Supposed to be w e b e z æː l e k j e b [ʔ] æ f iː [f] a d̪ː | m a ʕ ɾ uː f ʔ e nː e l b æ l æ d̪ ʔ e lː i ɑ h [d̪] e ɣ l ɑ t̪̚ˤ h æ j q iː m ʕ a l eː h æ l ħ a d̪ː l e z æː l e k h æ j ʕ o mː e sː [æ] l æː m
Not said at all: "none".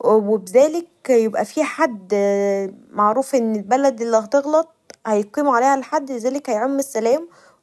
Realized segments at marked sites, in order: ʔ, ħ, t̪, æ

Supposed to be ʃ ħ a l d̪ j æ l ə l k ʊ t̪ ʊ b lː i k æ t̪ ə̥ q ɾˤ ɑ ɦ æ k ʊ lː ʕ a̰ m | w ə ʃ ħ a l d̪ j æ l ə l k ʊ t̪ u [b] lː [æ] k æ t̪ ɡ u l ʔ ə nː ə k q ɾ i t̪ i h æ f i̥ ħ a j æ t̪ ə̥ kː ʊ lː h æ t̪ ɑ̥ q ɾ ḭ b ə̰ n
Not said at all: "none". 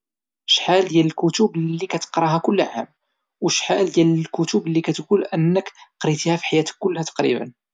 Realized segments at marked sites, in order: b, i

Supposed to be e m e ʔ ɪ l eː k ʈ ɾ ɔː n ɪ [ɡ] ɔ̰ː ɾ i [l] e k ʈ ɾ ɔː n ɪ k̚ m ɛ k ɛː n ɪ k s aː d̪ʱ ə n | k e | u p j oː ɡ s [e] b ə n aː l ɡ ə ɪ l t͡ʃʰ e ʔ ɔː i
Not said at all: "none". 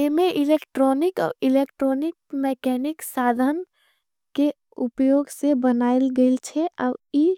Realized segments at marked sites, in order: k, l, e

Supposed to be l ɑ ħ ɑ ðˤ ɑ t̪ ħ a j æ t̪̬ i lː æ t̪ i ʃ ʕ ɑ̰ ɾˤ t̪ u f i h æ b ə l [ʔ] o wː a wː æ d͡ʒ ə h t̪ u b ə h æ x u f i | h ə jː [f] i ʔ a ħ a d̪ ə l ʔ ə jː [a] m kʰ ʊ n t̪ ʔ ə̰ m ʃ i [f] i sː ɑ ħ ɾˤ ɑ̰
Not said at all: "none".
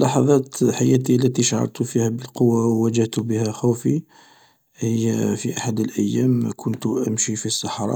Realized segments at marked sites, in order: q, f, æ, f

